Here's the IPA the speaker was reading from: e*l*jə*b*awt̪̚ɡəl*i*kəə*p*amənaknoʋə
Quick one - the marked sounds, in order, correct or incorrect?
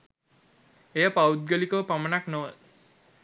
incorrect: none, incorrect: p, correct, correct

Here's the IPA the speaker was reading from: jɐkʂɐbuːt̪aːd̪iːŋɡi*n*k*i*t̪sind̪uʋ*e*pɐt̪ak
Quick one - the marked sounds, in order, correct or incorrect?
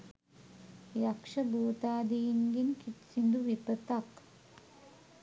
correct, correct, incorrect: i

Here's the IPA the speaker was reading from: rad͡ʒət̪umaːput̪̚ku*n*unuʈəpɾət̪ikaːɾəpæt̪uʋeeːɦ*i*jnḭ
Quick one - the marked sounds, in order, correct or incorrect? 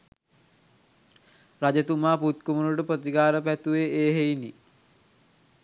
incorrect: m, incorrect: e

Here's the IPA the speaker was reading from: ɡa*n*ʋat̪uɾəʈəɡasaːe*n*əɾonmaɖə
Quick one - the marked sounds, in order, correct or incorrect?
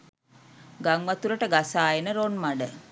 incorrect: ŋ, correct

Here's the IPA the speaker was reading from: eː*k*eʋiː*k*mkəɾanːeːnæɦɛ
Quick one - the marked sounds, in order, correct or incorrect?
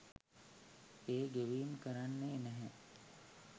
incorrect: ɡ, incorrect: none

